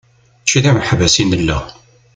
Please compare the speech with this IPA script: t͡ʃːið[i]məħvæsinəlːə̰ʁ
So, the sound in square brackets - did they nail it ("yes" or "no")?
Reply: no